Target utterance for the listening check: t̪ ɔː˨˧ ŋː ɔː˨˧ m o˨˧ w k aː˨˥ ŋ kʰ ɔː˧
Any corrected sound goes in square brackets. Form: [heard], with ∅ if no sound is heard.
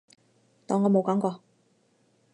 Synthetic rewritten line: t̪ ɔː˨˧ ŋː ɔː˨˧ m o˨˧ w k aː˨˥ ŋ [k] ɔː˧